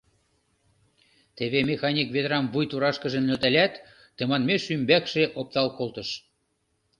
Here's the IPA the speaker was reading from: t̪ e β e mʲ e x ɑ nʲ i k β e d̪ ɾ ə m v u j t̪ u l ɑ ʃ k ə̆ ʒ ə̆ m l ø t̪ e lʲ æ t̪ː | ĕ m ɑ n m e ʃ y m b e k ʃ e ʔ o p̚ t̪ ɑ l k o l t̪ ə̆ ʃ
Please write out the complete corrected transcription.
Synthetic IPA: t̪ e β e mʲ e x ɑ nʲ i k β e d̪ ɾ ɑ m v u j t̪ u ɾ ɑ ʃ k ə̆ ʒ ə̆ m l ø t̪ æ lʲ æ t̪ː | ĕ m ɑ n m e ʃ y m b æ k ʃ e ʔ o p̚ t̪ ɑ l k o l t̪ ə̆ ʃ